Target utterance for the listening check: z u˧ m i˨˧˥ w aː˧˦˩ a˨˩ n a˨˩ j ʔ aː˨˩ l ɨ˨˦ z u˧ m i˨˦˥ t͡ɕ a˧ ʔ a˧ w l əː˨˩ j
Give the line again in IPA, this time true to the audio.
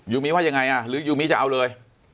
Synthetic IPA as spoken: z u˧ m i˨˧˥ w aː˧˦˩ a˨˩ ŋ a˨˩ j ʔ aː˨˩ l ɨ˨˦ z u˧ m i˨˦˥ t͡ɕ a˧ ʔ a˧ w l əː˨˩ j